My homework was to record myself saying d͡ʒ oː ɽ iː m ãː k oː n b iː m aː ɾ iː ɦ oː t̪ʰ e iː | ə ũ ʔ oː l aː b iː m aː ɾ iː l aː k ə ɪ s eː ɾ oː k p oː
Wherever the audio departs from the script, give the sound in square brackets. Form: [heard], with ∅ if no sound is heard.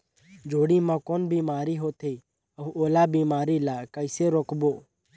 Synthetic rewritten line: d͡ʒ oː ɽ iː m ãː k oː n b iː m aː ɾ iː ɦ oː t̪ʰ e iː | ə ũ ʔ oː l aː b iː m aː ɾ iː l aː k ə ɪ s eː ɾ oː k [b] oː